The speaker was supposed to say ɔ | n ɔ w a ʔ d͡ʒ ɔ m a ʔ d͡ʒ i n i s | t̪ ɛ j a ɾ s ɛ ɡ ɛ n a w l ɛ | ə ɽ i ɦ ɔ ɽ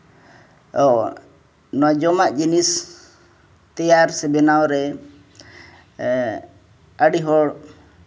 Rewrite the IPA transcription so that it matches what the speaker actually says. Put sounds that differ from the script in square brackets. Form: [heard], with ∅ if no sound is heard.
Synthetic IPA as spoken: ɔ | n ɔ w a [∅] d͡ʒ ɔ m a ʔ d͡ʒ i n i s | t̪ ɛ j a ɾ s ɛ [b] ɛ n a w [ɾ] ɛ | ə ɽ i ɦ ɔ ɽ